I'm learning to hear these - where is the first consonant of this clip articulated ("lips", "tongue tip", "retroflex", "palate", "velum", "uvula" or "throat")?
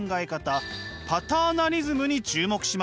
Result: velum